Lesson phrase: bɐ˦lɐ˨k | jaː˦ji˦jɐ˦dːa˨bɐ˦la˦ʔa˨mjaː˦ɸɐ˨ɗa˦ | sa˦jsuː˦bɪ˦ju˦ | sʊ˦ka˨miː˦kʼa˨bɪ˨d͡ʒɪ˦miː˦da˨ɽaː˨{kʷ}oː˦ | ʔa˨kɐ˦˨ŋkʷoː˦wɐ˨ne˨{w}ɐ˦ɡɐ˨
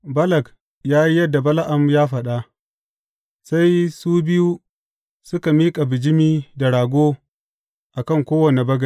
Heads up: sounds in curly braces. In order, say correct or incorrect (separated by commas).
incorrect, incorrect